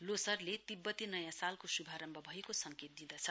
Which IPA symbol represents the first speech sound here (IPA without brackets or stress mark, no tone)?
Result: l